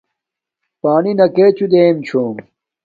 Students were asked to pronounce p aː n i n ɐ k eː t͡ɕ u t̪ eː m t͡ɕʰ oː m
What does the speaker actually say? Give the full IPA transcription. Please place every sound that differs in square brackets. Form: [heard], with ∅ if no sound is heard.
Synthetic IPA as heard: p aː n i n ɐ k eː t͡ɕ u [d̪] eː m t͡ɕʰ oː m